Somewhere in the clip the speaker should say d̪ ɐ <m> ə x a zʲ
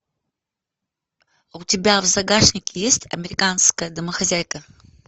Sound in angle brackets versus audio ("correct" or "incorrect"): correct